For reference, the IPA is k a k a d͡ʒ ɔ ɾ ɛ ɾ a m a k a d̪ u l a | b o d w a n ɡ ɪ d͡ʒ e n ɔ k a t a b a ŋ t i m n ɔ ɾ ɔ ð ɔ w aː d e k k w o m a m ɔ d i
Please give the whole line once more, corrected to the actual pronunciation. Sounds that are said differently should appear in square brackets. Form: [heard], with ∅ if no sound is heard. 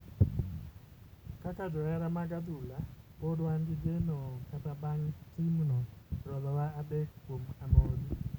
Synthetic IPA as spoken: k a k a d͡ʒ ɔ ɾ ɛ ɾ a m a [ɡ] a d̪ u l a | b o d w a n ɡ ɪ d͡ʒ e n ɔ k a t a b a ŋ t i m n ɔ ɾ ɔ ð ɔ w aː d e k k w o m a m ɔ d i